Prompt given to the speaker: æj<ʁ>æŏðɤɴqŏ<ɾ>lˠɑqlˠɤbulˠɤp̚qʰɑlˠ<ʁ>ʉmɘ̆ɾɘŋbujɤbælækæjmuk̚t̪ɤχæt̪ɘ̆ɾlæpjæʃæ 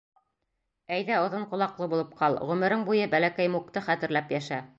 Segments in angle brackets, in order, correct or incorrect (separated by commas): incorrect, incorrect, correct